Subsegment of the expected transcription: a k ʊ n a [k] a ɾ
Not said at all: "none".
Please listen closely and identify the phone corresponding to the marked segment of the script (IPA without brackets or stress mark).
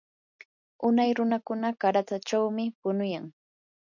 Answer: k